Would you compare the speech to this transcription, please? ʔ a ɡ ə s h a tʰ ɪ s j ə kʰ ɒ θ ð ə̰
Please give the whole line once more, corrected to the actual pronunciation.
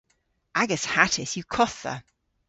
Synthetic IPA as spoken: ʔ a ɡ ə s h a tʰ ɪ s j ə kʰ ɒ θ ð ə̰